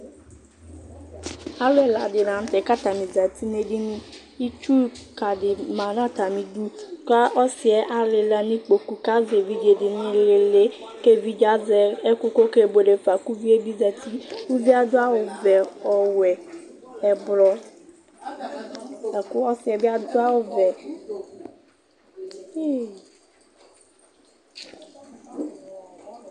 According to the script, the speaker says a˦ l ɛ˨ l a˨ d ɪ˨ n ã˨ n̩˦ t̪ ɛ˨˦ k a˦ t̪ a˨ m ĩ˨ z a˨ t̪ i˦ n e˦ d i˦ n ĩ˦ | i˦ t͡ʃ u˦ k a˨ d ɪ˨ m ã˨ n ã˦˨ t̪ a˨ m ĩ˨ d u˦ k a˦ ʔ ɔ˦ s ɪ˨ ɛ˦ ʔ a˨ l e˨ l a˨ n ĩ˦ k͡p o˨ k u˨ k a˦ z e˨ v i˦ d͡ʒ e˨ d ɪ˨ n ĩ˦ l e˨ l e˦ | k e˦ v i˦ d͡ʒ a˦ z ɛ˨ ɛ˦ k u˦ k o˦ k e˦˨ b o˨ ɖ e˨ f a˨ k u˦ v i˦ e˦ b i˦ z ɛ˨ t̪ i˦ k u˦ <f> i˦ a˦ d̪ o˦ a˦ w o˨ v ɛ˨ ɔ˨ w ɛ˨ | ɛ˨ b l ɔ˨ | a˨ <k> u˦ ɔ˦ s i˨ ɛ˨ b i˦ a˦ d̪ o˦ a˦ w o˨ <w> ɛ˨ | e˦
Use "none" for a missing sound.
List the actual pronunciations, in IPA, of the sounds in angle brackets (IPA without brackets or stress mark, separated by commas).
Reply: v, k, v